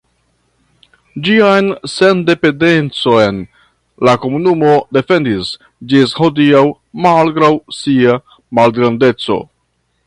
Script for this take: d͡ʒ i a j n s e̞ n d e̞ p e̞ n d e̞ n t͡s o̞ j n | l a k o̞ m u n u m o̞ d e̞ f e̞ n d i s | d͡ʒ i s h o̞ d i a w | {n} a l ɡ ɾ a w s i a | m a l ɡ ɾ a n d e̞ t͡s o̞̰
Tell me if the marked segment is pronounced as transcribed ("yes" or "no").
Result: no